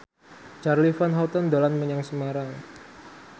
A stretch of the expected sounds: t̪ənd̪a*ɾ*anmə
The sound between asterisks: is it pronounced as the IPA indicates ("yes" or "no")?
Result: no